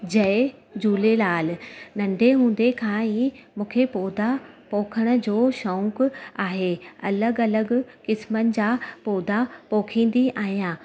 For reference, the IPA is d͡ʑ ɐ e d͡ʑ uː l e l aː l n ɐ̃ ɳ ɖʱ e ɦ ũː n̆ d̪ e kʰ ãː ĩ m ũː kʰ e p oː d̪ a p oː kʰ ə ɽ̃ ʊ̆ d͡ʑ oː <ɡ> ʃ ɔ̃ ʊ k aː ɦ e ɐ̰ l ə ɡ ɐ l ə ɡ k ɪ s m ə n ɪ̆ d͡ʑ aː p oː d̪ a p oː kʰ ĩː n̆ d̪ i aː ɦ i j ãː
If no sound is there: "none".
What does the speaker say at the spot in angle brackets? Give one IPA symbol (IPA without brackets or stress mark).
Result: none